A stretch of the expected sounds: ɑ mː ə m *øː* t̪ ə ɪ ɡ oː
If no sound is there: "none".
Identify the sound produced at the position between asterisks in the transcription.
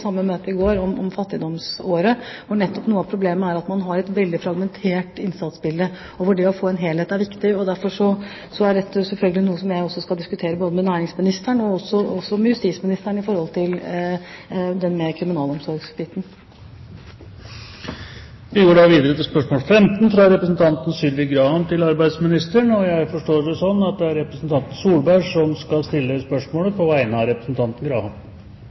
øː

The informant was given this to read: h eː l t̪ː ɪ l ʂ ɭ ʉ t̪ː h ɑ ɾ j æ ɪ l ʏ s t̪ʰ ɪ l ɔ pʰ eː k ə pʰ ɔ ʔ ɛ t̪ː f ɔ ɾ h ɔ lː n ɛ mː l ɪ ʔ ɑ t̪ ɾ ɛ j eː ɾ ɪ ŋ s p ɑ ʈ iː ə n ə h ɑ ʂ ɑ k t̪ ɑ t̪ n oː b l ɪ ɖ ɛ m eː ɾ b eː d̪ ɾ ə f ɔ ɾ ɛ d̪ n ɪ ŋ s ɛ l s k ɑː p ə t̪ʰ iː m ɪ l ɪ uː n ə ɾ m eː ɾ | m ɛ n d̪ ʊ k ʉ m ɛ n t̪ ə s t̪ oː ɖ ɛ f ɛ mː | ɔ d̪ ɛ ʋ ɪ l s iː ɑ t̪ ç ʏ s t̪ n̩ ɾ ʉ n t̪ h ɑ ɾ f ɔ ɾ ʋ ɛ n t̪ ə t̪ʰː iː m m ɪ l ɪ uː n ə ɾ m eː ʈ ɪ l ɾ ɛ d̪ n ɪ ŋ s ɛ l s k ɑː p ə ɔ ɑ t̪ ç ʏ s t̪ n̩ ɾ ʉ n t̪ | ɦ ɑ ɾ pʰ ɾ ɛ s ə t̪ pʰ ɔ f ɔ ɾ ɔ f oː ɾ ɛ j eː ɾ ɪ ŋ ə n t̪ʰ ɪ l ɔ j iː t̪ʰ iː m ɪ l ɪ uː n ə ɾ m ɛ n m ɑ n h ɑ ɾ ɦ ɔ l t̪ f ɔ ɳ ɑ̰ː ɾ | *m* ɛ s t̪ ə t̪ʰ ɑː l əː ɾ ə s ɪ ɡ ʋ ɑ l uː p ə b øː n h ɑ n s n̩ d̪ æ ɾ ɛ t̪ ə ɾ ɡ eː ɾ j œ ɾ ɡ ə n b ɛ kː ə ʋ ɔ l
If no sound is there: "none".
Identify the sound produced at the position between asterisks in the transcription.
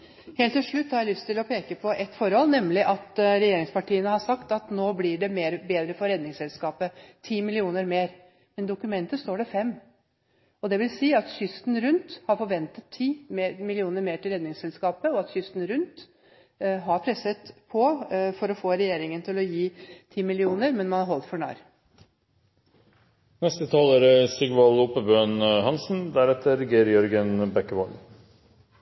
n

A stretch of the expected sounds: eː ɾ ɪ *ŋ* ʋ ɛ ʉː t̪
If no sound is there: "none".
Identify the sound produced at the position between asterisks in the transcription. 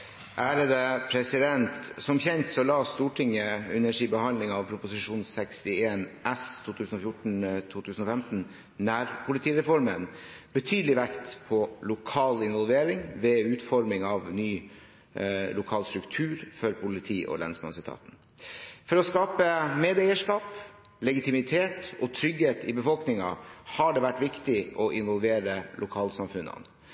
ŋ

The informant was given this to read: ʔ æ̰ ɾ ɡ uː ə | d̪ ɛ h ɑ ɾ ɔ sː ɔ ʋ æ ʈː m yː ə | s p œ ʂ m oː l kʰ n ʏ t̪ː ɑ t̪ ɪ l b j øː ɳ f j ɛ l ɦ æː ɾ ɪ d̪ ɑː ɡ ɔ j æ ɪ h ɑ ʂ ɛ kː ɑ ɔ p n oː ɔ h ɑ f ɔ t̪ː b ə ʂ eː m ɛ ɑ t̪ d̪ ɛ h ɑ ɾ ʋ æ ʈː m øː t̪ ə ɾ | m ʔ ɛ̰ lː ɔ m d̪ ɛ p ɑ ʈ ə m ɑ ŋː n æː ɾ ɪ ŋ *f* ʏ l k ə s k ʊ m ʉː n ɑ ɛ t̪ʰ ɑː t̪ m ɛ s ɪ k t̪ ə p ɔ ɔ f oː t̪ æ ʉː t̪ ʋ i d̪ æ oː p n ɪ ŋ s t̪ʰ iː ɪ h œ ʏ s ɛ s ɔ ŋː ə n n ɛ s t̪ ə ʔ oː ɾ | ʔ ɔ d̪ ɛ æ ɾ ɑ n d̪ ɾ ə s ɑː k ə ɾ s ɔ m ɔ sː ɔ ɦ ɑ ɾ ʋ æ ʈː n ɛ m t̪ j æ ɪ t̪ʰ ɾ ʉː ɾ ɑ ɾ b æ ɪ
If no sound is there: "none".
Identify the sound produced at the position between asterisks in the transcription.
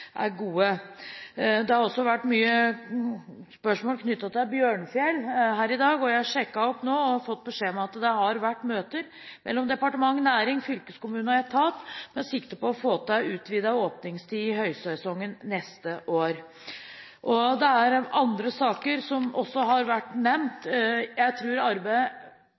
f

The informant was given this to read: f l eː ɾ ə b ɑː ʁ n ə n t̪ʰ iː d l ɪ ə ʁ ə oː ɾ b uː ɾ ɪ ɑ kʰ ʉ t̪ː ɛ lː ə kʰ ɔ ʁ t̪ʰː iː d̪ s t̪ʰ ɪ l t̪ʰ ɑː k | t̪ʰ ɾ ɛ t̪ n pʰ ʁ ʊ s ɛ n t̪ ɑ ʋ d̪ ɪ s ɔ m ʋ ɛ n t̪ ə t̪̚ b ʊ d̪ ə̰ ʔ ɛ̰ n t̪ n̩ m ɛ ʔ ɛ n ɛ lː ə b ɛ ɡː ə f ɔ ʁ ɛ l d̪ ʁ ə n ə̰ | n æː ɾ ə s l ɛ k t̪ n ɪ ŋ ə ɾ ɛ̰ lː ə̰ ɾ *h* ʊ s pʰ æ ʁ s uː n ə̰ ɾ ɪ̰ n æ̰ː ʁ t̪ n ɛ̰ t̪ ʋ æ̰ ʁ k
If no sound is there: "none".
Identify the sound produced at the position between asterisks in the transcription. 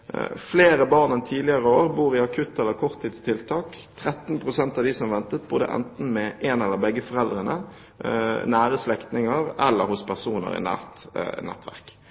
h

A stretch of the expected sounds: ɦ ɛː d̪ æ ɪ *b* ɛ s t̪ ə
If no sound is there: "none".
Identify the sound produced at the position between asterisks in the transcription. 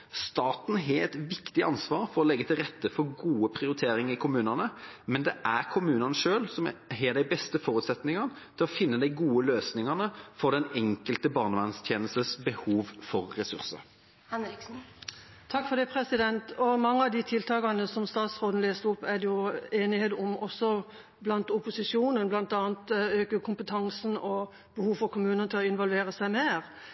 b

